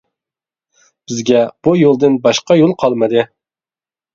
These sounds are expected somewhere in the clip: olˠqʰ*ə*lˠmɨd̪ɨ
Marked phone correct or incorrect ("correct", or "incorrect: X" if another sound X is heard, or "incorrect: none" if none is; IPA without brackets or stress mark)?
incorrect: ɑ